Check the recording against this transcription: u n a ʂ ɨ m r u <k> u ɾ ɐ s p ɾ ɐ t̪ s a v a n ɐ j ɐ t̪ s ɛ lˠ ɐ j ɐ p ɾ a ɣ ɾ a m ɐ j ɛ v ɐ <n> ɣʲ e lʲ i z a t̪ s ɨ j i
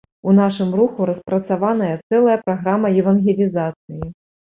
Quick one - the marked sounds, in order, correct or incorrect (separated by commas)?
incorrect, correct